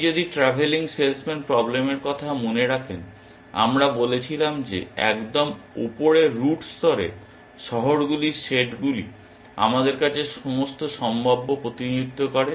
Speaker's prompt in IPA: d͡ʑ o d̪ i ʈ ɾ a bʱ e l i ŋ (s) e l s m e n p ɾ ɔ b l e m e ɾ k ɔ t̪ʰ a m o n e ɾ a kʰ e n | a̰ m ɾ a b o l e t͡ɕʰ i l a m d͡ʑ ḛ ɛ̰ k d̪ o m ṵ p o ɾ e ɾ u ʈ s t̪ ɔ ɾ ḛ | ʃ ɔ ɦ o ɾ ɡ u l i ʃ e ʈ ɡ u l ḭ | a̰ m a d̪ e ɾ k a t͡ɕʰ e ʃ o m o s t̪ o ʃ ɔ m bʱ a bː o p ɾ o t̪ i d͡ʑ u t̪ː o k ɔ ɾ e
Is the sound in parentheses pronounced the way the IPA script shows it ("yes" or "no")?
yes